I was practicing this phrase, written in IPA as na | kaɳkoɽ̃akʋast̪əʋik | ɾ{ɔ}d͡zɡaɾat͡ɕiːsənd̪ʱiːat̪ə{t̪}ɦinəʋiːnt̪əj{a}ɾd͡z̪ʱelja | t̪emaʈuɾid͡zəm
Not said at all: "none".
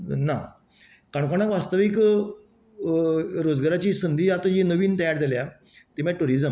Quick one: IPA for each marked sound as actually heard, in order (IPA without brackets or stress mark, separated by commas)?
o, none, a